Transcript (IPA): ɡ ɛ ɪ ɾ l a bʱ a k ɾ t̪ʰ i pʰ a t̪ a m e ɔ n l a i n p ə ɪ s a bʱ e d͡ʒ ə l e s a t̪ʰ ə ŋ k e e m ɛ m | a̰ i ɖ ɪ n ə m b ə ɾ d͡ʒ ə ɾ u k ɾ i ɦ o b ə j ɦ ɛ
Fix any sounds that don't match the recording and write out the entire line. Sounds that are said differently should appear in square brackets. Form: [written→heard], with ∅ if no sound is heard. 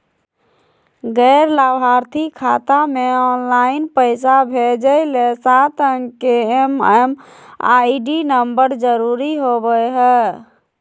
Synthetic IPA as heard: ɡ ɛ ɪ ɾ l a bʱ a [k→∅] ɾ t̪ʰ i [pʰ→kʰ] a t̪ a m e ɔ n l a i n p ə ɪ s a bʱ e d͡ʒ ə l e s a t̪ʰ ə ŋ k e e m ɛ m | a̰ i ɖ [ɪ→i] n ə m b ə ɾ d͡ʒ ə ɾ u [k→∅] ɾ i ɦ o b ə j ɦ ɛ